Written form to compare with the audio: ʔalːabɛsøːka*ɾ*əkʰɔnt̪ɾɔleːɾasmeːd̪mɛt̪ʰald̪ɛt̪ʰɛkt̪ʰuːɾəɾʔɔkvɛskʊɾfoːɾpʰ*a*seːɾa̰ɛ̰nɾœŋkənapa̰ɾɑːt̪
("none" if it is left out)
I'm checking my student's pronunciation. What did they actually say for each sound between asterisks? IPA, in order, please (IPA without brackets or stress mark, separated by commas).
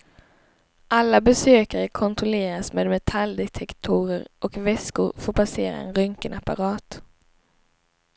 ɾ, a